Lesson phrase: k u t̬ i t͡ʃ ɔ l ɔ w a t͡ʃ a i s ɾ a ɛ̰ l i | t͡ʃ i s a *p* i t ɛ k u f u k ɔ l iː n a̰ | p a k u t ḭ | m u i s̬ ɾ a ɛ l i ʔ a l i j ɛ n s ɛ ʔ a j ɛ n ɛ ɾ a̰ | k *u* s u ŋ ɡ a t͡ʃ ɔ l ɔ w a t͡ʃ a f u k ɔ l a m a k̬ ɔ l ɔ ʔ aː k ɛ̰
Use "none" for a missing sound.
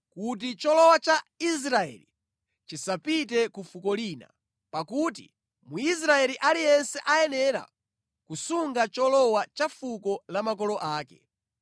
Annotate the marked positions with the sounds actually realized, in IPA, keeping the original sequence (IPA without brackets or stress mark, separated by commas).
p, u